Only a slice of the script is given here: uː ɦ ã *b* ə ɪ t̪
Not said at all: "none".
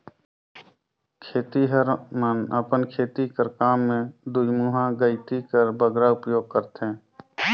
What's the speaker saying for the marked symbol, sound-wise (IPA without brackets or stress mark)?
ɡ